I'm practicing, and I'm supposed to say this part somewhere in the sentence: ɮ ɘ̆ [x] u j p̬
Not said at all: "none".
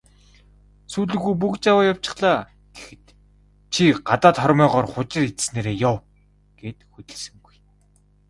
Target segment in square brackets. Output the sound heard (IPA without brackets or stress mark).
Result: ɣ